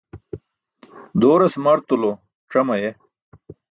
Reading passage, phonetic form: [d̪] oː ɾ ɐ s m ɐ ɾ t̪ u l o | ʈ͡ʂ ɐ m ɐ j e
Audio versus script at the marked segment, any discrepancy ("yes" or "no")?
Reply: no